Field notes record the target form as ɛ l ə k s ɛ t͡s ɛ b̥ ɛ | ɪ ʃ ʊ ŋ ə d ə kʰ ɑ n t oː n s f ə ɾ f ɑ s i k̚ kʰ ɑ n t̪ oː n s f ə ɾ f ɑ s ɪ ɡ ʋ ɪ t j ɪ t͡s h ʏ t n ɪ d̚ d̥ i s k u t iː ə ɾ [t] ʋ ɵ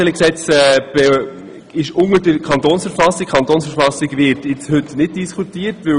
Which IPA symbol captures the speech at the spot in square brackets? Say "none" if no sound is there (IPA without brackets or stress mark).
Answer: t